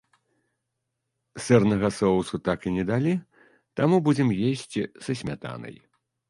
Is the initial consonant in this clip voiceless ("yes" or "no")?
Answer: yes